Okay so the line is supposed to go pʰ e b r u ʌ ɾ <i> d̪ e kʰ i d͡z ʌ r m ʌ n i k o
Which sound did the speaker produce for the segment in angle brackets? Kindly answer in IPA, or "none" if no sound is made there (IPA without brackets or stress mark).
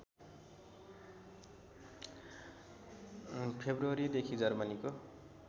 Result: i